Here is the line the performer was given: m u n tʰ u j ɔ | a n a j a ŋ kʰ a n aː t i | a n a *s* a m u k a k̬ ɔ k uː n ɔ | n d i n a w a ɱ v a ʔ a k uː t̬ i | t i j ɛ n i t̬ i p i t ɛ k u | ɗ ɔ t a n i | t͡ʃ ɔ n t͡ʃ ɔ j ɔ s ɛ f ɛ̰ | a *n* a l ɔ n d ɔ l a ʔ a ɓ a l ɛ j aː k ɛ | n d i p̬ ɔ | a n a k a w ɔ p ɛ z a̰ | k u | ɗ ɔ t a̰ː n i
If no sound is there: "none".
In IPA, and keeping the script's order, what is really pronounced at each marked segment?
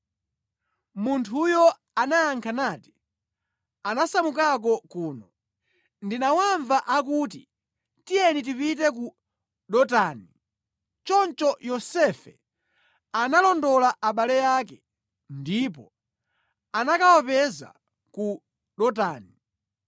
s, n

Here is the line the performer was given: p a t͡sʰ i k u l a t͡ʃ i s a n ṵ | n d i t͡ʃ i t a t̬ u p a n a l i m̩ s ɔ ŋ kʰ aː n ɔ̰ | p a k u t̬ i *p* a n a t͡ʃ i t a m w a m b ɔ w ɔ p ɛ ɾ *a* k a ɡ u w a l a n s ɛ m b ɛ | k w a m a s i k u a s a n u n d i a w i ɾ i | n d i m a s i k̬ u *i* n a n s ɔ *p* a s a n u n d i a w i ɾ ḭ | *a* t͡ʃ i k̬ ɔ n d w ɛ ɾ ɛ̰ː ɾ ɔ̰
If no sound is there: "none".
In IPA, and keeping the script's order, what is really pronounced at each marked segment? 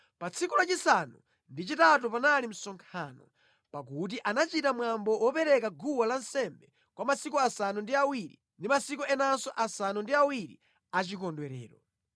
ʔ, ɛ, ɛ, ʔ, a

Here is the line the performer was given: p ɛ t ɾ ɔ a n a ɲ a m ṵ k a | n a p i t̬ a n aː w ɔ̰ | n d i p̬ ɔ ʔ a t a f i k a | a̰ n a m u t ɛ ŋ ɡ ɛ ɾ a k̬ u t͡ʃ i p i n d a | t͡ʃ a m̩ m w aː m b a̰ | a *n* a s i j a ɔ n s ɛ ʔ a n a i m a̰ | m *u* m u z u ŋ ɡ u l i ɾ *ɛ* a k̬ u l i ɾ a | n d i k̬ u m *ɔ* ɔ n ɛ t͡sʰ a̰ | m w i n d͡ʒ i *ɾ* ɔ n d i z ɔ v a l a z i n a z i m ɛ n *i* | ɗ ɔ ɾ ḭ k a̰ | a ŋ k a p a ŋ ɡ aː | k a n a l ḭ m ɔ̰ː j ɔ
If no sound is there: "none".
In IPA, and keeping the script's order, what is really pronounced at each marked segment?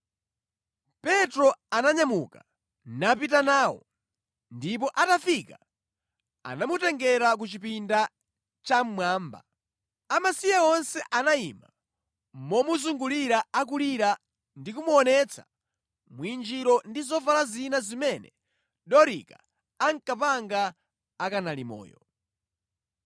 m, ɔ, a, u, ɾ, ɛ

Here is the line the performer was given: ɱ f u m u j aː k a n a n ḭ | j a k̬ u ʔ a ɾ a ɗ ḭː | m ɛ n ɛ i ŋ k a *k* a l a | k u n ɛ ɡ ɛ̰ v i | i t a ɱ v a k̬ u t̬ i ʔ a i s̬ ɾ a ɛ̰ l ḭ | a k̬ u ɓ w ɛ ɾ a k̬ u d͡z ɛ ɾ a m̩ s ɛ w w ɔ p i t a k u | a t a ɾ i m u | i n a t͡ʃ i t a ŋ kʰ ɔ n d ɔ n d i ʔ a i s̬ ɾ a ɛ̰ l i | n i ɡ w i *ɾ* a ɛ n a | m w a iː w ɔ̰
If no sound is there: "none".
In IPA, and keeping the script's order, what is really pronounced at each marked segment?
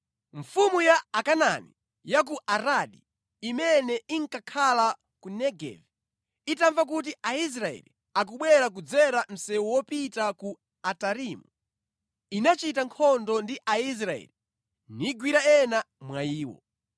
kʰ, ɾ

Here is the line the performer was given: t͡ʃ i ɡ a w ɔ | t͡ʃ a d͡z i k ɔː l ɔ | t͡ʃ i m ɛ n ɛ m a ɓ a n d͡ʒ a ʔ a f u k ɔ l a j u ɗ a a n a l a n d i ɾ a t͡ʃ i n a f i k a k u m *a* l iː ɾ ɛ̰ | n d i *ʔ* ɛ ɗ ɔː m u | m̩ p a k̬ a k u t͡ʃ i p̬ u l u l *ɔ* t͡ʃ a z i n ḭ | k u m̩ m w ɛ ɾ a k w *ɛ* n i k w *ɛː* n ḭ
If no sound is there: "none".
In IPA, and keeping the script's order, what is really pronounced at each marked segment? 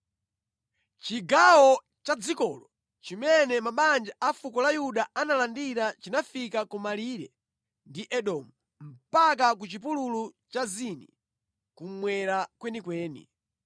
a, ʔ, u, ɛ, ɛː

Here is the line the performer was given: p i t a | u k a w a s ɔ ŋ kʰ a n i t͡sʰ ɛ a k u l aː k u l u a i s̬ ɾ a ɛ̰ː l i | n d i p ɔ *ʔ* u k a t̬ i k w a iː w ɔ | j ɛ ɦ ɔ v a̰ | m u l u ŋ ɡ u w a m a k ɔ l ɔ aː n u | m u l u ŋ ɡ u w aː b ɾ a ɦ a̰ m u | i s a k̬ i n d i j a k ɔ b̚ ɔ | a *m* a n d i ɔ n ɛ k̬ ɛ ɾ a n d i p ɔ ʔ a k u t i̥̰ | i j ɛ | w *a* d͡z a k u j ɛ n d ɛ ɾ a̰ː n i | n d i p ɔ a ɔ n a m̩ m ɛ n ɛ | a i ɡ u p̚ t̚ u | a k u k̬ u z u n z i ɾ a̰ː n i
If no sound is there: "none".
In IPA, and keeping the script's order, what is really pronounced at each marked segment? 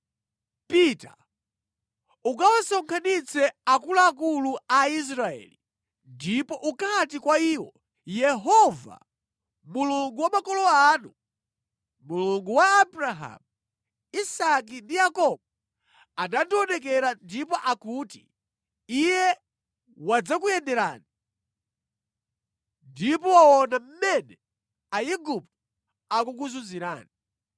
ʔ, n, a

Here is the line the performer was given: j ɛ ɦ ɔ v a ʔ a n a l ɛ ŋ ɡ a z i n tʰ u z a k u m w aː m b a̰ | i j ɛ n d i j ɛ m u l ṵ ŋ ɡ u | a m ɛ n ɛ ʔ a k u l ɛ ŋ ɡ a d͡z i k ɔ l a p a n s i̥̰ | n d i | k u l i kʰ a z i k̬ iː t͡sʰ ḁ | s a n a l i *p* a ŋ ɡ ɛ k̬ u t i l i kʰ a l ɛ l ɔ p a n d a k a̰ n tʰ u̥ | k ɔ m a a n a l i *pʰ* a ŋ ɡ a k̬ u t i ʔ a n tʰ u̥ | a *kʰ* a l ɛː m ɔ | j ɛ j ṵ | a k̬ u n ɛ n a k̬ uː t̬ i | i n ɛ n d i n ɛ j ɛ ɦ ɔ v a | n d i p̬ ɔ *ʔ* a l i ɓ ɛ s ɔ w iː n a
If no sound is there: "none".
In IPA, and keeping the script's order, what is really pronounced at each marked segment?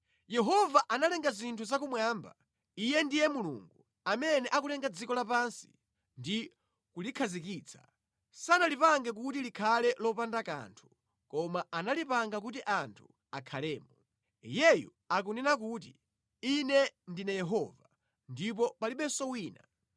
p, p, kʰ, p

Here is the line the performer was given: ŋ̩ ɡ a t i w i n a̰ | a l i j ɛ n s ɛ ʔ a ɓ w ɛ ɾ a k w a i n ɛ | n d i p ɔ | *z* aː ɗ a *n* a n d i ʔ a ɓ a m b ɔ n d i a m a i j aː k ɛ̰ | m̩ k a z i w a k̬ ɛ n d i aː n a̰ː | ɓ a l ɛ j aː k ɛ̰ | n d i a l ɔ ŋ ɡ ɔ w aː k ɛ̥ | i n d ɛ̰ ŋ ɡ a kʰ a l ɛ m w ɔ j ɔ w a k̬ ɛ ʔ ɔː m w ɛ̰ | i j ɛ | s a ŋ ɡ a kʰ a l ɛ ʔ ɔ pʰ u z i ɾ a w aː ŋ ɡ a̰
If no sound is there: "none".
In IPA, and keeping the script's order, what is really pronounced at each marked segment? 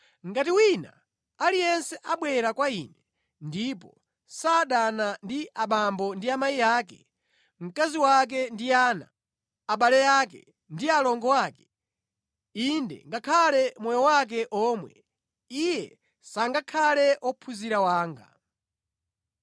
s, n

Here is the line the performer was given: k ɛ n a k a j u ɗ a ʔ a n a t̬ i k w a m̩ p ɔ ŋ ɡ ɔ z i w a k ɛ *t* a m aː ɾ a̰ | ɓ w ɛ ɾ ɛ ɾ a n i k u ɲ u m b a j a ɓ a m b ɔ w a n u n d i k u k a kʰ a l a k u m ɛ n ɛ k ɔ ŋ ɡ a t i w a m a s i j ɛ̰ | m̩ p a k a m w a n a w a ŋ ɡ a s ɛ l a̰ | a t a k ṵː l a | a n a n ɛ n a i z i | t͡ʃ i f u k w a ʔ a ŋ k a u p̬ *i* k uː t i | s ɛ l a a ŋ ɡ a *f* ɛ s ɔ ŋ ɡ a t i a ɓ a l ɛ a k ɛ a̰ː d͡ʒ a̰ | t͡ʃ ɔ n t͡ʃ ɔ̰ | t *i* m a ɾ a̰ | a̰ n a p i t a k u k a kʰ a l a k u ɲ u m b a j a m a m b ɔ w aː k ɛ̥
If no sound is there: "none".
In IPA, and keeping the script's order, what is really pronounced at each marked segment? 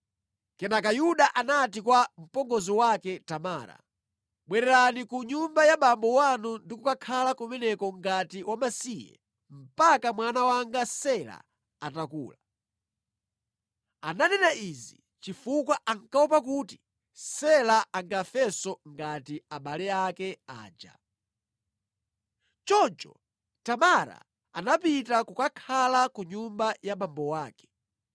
t, a, f, a

